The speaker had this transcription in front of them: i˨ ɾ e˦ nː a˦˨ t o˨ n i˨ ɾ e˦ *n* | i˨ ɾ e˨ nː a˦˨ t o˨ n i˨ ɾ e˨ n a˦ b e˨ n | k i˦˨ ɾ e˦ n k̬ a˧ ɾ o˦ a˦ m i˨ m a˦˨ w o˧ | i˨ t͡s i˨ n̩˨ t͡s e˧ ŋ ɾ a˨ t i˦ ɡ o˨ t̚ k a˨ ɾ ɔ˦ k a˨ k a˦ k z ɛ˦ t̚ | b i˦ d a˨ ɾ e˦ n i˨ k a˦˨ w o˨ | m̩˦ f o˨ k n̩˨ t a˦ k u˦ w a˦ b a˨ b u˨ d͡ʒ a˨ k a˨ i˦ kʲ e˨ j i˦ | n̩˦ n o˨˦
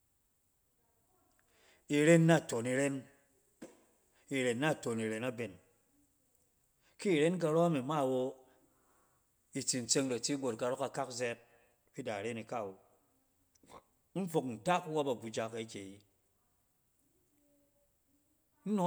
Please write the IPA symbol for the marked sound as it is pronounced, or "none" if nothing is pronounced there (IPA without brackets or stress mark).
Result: n